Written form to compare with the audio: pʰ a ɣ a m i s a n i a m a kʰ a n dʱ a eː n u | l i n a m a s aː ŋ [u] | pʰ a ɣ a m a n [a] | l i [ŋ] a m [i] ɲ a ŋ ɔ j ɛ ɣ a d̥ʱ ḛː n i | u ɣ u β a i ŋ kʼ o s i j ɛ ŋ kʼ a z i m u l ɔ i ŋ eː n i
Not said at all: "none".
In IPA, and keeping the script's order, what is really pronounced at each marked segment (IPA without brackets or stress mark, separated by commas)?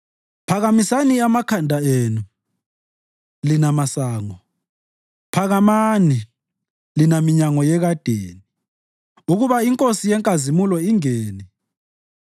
ɔ, i, n, i